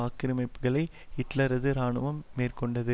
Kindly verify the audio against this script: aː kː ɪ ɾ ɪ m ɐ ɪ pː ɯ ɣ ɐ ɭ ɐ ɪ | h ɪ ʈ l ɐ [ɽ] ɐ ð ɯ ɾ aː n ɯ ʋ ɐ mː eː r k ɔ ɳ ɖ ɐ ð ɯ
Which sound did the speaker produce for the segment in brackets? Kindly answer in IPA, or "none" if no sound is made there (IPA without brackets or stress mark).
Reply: ɾ